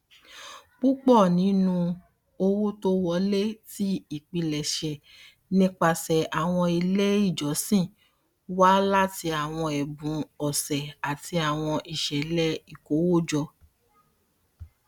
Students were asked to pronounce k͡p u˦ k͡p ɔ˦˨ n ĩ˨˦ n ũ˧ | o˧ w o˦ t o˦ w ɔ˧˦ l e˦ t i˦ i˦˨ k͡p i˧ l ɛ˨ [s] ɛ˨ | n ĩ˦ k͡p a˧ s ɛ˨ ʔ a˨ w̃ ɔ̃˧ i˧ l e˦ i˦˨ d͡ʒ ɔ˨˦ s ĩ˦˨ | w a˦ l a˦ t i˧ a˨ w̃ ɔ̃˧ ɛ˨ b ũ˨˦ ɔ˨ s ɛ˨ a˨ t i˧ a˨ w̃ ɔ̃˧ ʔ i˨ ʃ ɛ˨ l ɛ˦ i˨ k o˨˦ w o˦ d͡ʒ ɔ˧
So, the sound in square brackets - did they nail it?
no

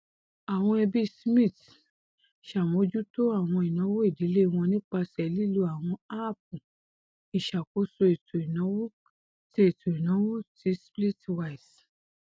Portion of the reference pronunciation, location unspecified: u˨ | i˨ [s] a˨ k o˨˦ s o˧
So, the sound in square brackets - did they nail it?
no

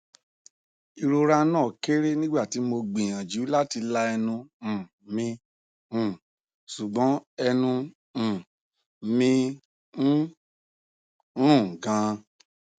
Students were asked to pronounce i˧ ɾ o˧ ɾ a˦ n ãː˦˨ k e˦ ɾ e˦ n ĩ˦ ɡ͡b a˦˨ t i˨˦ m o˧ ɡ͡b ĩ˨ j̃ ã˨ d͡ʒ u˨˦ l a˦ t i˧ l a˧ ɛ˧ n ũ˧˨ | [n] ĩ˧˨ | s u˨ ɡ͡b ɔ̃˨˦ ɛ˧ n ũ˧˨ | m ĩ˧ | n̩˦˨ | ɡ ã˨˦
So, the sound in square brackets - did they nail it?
no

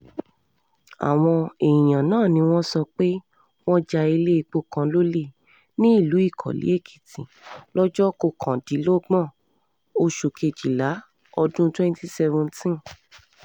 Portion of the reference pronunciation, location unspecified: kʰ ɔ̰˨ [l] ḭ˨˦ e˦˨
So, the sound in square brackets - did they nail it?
yes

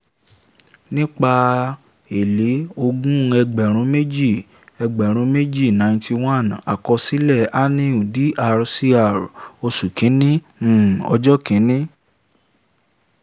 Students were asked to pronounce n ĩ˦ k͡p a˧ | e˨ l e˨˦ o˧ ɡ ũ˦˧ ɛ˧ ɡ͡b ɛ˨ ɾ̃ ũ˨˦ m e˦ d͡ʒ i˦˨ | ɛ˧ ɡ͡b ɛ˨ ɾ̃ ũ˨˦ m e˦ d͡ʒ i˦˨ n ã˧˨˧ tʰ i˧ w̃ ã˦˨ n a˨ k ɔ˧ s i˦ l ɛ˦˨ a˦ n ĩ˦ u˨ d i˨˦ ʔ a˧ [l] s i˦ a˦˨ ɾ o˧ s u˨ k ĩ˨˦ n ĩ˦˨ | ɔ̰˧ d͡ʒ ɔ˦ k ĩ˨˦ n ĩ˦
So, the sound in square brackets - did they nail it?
no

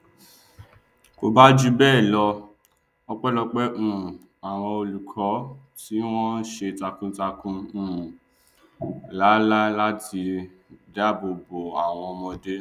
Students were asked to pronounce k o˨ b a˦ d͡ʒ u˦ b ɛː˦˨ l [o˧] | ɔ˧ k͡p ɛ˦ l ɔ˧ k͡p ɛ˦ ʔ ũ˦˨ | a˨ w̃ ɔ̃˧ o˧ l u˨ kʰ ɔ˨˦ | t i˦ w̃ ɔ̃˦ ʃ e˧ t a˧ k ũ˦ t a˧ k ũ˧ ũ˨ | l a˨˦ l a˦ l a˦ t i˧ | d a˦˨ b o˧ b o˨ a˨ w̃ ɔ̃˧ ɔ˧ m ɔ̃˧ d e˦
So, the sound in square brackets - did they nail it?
no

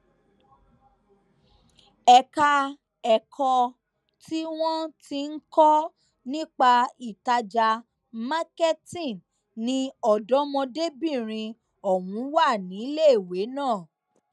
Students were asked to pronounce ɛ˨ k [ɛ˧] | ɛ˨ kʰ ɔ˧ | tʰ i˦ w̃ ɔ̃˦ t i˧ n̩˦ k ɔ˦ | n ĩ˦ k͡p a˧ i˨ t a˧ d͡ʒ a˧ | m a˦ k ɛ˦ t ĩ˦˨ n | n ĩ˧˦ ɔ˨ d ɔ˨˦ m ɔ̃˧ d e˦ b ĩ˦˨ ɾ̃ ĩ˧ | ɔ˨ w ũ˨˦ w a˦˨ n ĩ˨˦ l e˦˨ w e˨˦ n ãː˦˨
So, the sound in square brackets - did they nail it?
no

